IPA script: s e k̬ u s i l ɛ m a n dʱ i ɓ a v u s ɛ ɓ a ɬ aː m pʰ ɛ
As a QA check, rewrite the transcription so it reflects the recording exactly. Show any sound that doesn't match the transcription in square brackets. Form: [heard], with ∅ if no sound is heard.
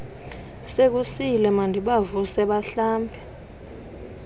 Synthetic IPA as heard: s e k̬ u s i l ɛ m a n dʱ i ɓ a v u s ɛ ɓ a ɬ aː m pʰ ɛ